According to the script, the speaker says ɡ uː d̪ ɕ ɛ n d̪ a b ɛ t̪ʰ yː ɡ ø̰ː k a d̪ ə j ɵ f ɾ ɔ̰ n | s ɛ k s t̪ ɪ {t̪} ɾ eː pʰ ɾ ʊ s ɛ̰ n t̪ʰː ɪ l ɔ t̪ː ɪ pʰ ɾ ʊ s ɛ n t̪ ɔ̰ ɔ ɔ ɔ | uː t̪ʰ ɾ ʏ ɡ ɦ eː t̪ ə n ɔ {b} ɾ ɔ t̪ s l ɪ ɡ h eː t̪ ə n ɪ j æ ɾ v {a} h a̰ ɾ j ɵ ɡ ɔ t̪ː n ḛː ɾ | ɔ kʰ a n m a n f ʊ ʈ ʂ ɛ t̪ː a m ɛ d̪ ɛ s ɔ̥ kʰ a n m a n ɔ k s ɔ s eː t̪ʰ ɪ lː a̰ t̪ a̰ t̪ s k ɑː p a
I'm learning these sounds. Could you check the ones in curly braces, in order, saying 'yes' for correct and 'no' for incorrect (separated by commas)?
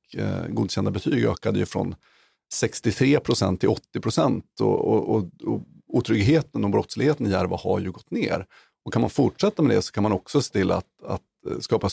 no, yes, yes